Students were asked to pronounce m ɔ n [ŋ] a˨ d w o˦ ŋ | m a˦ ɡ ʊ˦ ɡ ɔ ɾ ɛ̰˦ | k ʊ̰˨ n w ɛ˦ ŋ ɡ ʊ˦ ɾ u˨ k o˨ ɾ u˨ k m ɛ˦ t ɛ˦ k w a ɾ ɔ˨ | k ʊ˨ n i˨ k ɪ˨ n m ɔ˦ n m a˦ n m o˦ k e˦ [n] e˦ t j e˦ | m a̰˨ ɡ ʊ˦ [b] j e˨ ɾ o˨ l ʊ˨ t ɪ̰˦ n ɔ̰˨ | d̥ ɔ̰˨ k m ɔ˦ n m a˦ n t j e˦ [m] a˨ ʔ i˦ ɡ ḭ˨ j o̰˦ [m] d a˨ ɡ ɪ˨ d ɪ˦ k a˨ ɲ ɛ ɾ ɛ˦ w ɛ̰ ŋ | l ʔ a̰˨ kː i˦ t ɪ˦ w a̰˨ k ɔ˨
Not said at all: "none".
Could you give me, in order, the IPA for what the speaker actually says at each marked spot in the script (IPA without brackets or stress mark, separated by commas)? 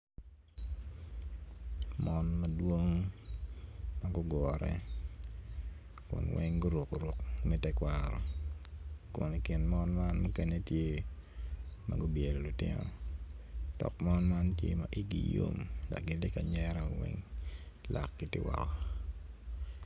m, n, b, m, m